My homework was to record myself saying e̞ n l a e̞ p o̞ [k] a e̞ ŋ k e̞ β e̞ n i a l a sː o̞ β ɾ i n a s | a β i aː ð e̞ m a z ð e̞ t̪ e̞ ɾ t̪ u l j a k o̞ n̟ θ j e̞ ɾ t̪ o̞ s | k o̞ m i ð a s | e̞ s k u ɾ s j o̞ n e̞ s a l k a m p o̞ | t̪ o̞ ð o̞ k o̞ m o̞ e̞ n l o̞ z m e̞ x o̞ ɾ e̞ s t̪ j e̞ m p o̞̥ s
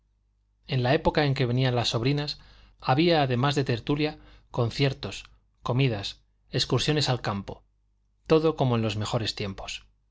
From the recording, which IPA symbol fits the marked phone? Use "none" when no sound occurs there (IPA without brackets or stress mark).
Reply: k